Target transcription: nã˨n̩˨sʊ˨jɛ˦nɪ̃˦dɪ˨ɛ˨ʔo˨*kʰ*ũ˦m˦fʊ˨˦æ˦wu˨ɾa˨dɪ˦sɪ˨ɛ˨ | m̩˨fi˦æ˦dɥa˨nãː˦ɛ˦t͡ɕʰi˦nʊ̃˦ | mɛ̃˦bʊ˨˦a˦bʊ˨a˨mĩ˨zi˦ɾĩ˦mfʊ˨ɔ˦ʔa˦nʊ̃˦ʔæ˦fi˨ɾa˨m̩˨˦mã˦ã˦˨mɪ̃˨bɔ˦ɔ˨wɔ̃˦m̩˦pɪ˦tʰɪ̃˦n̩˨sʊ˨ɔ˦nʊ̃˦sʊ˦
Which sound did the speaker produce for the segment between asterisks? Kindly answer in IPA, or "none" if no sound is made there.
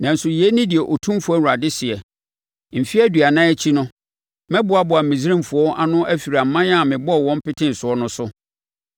tʰ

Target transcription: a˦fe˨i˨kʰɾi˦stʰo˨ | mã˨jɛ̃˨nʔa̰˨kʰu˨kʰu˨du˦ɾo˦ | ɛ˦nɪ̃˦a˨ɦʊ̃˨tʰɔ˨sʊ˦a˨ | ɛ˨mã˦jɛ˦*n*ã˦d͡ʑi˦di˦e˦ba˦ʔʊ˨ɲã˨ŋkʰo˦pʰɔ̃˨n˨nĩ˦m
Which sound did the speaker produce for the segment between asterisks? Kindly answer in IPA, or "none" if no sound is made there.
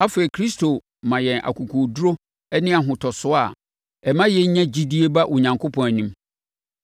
ɲ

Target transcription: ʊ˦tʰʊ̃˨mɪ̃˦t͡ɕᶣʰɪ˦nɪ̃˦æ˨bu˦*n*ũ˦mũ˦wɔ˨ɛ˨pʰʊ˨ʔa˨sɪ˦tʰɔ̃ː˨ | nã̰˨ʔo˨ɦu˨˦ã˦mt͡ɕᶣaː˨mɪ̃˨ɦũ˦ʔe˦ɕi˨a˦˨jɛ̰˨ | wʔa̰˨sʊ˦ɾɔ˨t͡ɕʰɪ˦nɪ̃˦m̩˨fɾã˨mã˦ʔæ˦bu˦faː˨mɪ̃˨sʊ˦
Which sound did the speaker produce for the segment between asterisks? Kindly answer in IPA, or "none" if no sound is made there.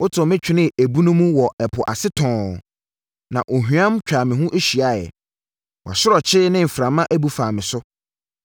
n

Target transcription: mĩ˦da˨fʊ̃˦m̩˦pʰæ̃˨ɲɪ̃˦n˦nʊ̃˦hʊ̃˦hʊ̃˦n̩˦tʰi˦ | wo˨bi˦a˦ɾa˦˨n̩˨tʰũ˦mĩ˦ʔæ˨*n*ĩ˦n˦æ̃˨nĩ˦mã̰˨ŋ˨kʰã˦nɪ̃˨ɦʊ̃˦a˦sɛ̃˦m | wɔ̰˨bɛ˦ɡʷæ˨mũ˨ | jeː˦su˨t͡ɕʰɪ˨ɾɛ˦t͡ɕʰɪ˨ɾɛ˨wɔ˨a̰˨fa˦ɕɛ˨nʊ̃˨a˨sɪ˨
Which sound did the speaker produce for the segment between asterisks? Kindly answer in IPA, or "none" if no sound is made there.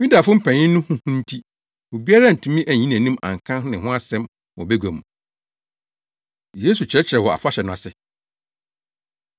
ɲ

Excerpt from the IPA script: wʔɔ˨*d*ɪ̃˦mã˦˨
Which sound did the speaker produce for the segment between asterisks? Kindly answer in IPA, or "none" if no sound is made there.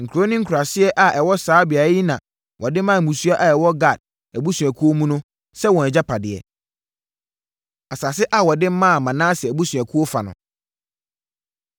d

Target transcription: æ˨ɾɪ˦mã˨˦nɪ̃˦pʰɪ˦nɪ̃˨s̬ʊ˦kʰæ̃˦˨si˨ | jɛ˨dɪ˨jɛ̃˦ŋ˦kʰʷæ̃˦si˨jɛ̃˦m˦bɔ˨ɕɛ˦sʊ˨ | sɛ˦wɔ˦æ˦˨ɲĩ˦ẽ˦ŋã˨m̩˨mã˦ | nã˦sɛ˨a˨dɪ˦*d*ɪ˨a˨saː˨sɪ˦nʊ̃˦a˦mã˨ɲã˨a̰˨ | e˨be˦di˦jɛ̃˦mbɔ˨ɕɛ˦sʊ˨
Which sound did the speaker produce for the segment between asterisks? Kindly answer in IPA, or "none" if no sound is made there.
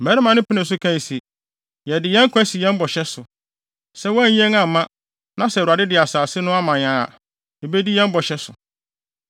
d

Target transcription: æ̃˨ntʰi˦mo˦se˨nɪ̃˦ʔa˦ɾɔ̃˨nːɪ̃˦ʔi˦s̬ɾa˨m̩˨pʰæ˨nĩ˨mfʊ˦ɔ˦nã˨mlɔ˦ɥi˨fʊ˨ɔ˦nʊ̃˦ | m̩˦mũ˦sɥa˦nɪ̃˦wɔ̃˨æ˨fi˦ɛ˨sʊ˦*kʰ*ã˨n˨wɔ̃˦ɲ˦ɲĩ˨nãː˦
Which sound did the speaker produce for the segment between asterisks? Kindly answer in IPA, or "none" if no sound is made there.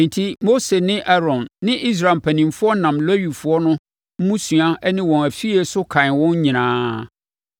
kʰ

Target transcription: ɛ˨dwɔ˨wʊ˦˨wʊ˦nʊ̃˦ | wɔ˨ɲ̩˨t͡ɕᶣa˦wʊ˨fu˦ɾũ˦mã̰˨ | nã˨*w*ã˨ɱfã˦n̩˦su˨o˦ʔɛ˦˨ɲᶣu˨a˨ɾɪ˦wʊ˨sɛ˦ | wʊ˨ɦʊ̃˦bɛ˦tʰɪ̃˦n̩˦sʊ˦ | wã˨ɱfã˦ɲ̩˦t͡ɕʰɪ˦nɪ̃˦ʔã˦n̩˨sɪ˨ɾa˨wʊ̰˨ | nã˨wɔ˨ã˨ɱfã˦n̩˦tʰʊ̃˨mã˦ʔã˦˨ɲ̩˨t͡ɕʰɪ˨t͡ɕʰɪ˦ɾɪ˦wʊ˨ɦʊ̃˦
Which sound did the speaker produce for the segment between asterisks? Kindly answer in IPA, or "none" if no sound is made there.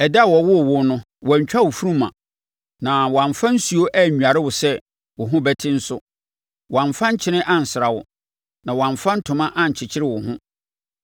w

